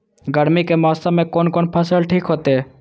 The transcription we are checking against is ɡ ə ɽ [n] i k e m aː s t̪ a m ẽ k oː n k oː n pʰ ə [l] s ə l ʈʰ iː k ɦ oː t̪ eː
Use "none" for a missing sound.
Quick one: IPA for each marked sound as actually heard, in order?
m, none

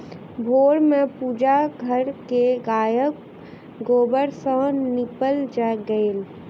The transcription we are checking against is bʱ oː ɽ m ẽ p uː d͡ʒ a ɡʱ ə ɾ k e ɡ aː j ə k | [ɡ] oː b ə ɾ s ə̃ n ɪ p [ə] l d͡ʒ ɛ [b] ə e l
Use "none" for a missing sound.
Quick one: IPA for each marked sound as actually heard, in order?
ɡ, ə, ɡ

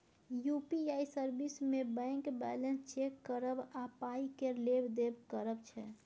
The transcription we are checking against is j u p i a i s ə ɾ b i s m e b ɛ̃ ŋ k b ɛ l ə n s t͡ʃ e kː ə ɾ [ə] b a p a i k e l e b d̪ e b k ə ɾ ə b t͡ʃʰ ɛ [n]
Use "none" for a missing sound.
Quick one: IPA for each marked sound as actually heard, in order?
ə, none

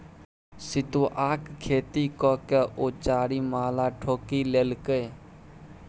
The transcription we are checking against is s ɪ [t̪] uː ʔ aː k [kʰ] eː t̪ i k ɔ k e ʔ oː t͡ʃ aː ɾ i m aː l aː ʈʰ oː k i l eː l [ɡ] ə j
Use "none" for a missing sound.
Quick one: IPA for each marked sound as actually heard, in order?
t̪, kʰ, k

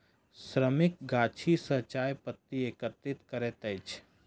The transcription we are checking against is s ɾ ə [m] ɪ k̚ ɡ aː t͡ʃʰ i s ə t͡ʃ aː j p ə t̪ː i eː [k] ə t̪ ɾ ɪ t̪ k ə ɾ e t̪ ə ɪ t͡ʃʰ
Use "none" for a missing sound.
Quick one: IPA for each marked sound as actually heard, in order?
m, k

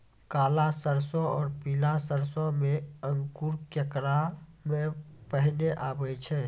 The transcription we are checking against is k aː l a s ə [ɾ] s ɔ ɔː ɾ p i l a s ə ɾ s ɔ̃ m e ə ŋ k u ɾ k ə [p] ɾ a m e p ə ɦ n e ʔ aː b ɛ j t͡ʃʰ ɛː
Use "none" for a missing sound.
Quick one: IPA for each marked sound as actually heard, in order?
ɾ, k

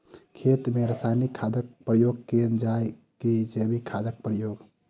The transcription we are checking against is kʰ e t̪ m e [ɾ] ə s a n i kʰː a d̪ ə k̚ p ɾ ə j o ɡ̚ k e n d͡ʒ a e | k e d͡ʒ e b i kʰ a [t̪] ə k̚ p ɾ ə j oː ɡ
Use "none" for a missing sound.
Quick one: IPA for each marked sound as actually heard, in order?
ɾ, d̪

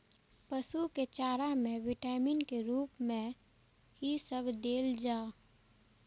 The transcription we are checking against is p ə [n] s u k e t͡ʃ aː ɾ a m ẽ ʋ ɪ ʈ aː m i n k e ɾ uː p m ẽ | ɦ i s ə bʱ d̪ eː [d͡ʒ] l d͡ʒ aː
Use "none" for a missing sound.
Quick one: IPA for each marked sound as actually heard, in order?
none, none

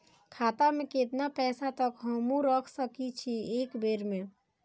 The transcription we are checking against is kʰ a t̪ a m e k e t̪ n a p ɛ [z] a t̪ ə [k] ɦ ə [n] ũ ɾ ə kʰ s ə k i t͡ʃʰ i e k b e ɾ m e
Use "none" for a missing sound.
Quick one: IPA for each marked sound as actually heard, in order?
s, k, m

